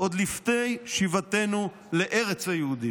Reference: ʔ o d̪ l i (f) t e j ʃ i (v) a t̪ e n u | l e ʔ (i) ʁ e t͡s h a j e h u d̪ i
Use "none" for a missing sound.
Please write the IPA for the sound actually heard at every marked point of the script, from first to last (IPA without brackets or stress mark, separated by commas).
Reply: f, v, e